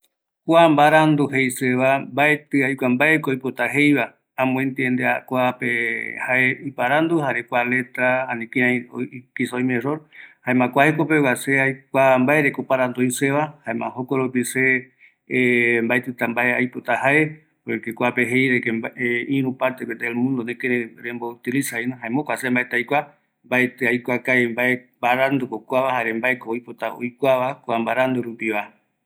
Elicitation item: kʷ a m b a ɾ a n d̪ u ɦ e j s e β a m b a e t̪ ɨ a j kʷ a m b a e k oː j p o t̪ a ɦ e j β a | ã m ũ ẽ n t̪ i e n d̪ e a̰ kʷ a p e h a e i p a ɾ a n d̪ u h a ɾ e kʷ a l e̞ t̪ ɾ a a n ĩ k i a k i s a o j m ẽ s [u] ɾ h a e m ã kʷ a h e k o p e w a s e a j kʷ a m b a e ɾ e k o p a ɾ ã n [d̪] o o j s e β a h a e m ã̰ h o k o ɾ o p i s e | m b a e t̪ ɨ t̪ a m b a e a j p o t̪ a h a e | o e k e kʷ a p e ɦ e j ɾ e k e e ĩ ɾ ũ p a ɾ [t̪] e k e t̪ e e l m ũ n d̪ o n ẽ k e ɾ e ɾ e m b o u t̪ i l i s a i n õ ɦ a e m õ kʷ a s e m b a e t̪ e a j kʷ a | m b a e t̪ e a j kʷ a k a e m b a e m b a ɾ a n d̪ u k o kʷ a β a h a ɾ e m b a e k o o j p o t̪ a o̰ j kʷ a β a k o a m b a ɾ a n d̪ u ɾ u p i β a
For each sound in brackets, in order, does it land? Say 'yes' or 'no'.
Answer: no, yes, yes

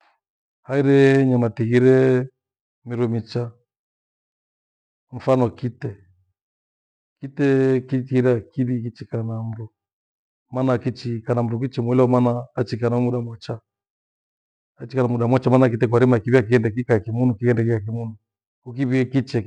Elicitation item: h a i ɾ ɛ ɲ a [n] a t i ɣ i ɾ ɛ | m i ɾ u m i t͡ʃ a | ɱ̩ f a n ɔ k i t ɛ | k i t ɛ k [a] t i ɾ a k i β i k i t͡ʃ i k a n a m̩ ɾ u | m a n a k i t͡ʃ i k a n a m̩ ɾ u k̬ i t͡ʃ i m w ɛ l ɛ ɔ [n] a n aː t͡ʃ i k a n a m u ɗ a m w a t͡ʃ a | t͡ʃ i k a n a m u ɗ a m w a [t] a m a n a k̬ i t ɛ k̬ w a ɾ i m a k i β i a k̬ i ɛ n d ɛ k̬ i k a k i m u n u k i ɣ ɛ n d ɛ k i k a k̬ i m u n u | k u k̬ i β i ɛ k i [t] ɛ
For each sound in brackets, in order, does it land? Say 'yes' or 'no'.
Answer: no, no, no, no, no

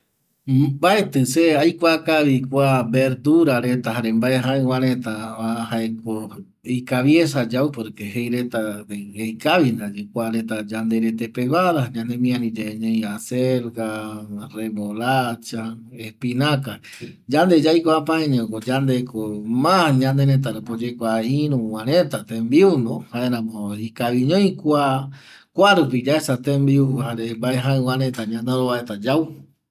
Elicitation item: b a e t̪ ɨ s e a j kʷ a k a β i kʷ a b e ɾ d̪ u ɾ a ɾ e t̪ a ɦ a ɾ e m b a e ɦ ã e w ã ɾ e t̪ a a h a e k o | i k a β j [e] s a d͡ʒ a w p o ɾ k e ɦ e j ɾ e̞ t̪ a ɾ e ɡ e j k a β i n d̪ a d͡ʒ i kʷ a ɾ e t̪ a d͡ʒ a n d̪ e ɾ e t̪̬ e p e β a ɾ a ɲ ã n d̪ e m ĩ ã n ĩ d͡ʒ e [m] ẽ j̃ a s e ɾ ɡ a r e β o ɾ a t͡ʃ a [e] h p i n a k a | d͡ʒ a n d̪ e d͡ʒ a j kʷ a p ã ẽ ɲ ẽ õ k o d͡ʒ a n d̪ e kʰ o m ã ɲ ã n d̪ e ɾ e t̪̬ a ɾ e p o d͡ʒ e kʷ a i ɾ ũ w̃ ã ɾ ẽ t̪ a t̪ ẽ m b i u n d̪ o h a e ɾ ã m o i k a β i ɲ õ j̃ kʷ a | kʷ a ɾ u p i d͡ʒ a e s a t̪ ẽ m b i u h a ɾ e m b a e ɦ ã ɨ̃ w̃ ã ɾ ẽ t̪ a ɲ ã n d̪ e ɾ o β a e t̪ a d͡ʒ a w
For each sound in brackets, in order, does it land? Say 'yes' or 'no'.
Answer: yes, no, yes

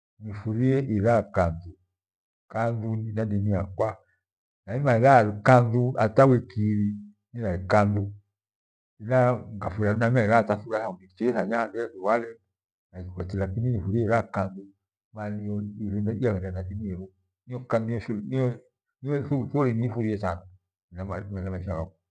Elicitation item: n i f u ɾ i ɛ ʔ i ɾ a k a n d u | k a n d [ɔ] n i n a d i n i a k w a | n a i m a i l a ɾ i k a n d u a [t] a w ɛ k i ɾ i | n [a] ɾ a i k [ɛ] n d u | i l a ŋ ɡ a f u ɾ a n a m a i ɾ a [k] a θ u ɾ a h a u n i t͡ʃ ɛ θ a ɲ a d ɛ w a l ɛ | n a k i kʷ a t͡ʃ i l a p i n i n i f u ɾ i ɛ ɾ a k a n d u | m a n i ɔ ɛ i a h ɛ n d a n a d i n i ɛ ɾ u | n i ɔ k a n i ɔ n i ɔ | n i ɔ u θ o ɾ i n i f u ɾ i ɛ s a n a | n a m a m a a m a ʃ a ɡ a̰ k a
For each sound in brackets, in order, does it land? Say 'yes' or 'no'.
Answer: no, yes, no, no, no

